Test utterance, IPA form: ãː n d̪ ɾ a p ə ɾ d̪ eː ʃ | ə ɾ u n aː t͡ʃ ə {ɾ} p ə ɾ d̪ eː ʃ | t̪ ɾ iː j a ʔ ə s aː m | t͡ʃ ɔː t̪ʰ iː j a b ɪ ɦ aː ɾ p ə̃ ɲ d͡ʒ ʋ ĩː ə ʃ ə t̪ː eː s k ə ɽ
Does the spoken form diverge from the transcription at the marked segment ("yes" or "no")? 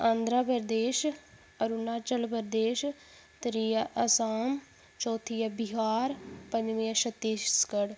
yes